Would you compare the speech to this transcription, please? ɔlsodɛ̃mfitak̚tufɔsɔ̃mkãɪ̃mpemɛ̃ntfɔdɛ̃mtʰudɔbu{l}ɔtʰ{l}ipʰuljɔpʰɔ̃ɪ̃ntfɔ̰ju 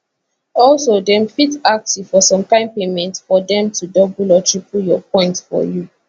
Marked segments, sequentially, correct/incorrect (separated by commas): correct, incorrect